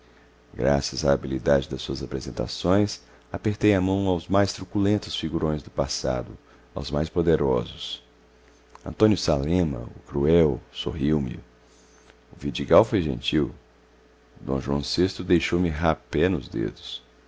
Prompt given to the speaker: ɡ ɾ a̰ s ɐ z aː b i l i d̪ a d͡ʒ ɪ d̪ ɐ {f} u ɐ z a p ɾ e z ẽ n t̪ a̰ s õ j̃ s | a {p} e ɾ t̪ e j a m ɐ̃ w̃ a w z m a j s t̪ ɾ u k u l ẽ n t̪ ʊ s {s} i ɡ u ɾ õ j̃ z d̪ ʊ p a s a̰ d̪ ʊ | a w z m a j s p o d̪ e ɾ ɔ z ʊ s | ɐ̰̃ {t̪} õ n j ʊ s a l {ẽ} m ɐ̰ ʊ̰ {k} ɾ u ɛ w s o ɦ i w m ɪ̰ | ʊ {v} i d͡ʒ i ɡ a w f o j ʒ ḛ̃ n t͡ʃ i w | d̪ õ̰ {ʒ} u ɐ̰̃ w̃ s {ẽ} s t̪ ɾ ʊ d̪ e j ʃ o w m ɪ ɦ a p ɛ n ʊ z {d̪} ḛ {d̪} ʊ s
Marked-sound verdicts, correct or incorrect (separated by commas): incorrect, correct, incorrect, correct, correct, correct, correct, correct, incorrect, correct, correct